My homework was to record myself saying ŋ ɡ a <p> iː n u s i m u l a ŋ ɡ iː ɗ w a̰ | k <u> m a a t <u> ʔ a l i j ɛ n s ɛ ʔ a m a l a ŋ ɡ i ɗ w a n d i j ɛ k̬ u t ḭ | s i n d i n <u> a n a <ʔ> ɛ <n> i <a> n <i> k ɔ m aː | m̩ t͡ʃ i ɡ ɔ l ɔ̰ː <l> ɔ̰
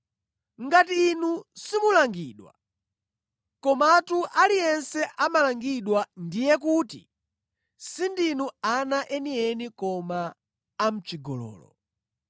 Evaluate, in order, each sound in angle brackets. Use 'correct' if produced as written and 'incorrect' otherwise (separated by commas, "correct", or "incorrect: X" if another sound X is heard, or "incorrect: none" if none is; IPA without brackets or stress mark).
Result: incorrect: t, incorrect: ɔ, correct, correct, correct, correct, incorrect: ɛ, correct, correct